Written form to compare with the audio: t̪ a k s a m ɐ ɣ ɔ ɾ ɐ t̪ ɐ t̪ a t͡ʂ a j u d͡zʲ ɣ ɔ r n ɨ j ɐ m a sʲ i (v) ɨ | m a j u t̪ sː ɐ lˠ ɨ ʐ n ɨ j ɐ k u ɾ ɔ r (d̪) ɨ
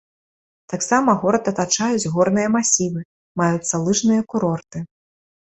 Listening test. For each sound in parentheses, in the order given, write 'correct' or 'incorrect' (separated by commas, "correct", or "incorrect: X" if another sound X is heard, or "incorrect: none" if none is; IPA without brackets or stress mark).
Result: correct, incorrect: t̪